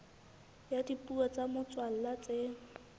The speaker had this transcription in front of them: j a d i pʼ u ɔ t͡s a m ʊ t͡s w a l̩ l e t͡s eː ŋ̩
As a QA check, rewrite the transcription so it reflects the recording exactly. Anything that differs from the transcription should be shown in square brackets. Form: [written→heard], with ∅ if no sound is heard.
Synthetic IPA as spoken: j a d i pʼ u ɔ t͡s a m ʊ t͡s w a l̩ l [e→a] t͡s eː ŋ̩